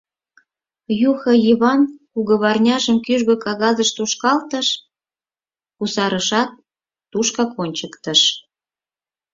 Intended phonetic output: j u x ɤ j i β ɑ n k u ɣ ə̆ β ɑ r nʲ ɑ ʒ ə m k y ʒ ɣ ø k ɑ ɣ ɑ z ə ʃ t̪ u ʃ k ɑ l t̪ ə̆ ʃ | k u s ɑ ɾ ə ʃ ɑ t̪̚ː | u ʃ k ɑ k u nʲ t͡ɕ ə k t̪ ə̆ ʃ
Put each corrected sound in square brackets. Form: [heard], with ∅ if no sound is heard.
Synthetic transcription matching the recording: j u x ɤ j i β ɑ n k u ɣ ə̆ β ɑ r nʲ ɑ ʒ ə m k y ʒ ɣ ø k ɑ ɣ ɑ z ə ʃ t̪ u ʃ k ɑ l t̪ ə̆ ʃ | k u s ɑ ɾ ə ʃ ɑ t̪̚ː | u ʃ k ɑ k [o] nʲ t͡ɕ ə k t̪ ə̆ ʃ